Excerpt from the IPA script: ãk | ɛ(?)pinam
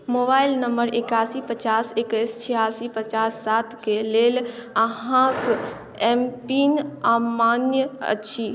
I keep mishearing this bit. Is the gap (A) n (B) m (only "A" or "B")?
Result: B